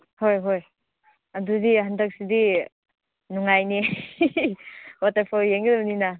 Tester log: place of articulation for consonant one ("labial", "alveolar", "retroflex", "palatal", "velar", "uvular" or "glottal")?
glottal